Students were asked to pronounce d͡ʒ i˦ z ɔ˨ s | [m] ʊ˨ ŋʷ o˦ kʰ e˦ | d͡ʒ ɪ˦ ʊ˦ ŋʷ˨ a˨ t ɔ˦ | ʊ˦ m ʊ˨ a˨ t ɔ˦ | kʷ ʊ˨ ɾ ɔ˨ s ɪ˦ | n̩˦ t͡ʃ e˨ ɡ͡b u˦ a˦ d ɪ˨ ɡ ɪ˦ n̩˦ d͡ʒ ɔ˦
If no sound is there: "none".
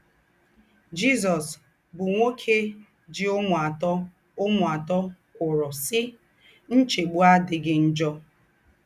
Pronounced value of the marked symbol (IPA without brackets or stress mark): b